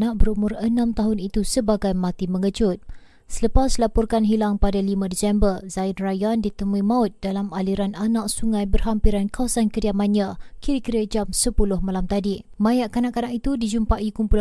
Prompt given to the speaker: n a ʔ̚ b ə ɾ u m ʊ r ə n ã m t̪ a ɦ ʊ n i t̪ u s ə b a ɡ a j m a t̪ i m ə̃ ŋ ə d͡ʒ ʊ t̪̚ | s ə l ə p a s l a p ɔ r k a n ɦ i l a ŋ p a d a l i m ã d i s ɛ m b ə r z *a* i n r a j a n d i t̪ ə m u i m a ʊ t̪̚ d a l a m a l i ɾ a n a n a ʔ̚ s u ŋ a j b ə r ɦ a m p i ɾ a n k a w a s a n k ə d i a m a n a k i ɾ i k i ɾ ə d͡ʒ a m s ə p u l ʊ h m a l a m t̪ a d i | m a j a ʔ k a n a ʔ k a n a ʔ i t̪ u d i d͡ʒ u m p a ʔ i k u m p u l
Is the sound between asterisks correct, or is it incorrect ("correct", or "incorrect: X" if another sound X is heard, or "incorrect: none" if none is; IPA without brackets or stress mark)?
correct